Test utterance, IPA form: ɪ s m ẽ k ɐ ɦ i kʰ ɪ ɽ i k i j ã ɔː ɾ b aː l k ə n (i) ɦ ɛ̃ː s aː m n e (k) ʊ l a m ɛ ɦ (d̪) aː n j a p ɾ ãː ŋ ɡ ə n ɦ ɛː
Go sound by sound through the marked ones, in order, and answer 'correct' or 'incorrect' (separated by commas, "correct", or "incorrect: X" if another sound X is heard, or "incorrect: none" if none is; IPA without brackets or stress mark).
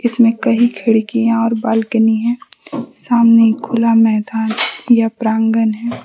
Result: correct, incorrect: kʰ, correct